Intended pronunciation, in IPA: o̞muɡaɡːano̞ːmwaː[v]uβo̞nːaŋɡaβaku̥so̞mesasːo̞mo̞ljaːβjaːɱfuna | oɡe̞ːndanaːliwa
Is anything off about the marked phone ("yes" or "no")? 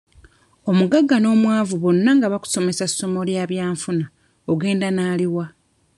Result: no